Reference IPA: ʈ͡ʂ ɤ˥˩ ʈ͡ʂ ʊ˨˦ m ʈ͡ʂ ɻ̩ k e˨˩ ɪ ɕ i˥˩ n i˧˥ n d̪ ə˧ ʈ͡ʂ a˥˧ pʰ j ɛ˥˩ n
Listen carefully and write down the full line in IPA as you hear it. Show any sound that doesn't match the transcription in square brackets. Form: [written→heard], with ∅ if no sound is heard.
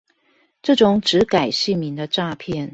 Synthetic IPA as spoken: ʈ͡ʂ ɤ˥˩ ʈ͡ʂ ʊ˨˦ [m→ŋ] ʈ͡ʂ ɻ̩ k [e˨˩→a˨˩] ɪ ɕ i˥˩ [n→m] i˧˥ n d̪ ə˧ ʈ͡ʂ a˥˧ pʰ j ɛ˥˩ n